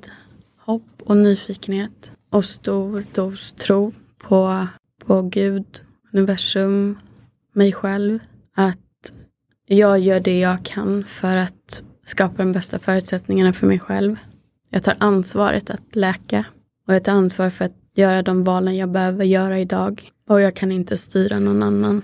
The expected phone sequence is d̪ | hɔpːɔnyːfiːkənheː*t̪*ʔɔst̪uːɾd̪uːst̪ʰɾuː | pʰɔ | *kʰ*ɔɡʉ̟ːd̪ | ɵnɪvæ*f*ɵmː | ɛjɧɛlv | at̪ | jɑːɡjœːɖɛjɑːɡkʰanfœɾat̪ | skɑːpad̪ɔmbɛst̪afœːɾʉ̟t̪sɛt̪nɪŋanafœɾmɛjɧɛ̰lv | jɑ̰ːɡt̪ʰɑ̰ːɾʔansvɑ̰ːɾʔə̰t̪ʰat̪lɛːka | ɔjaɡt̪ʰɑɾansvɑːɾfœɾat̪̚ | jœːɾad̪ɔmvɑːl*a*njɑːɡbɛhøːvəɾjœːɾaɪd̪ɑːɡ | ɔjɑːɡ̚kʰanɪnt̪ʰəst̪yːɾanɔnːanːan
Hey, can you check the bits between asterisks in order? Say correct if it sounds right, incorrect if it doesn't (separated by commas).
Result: correct, incorrect, incorrect, incorrect